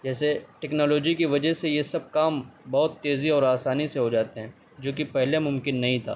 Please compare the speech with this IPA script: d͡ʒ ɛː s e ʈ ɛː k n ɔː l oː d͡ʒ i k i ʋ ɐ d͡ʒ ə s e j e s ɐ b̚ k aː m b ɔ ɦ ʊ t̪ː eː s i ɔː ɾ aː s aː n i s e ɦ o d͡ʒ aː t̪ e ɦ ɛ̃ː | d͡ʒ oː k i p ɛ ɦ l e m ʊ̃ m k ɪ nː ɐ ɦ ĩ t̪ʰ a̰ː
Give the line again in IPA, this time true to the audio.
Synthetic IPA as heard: d͡ʒ ɛː s e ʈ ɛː k n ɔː l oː d͡ʒ i k i ʋ ɐ d͡ʒ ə s e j e s ɐ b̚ k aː m b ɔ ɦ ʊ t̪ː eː z i ɔː ɾ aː s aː n i s e ɦ o d͡ʒ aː t̪ e ɦ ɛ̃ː | d͡ʒ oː k i p ɛ ɦ l e m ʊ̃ m k ɪ nː ɐ ɦ ĩ t̪ʰ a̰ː